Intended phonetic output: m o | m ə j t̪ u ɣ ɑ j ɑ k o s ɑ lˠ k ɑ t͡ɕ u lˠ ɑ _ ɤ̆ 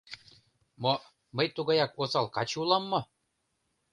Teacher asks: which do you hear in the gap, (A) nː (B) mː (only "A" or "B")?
B